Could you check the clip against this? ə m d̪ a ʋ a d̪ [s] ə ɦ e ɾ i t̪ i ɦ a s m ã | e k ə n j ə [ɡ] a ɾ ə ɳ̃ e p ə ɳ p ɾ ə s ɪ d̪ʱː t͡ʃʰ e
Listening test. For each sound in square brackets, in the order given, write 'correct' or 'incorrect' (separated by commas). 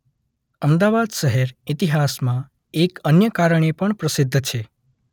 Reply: incorrect, incorrect